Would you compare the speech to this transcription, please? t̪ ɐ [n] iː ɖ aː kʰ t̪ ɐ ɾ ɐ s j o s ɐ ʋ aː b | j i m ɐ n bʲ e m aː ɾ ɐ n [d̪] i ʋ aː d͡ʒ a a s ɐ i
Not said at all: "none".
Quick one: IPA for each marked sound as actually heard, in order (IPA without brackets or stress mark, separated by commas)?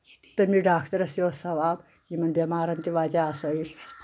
m, t̪